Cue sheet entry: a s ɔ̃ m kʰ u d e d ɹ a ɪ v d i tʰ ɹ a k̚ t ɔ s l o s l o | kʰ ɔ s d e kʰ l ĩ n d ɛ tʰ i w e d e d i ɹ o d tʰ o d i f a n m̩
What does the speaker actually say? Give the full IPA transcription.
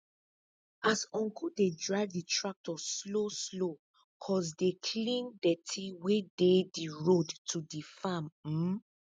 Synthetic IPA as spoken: a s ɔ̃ ŋ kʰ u d e d ɹ a ɪ v d i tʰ ɹ a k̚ t ɔ s l o s l o | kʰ ɔ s d e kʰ l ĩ n d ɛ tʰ i w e d e d i ɹ o d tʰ u d i f a m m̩